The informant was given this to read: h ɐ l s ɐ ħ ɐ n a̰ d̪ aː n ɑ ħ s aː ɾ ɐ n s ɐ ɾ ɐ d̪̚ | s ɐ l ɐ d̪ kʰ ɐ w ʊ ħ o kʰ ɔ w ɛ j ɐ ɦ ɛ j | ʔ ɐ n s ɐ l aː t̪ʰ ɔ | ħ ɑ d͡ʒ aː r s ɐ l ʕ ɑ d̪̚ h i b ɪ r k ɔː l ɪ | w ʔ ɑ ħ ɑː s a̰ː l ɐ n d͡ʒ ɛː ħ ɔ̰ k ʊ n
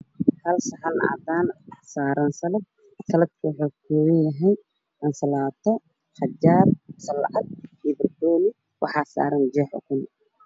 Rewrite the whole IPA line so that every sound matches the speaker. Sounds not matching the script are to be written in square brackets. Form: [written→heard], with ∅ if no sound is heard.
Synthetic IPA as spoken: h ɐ l s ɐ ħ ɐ n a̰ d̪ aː n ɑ ħ s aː ɾ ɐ n s ɐ [ɾ→l] ɐ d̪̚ | s ɐ l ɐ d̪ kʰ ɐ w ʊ ħ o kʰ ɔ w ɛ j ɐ ɦ ɛ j | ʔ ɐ n s ɐ l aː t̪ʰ ɔ | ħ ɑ d͡ʒ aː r s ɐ l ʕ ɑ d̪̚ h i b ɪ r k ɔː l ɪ | w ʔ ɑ ħ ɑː s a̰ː [l→ɾ] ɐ n d͡ʒ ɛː ħ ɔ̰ k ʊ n